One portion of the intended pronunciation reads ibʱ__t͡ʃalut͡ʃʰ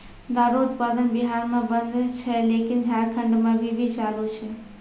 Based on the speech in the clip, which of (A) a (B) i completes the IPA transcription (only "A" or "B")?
B